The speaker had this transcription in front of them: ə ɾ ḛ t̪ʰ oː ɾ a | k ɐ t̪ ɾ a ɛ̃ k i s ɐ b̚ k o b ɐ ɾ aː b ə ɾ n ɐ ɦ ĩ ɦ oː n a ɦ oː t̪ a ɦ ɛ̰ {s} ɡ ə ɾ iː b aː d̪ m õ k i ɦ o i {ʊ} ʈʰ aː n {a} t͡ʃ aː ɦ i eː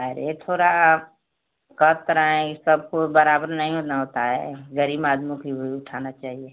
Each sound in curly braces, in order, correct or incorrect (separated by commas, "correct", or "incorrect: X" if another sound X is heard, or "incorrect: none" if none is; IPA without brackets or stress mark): incorrect: none, correct, correct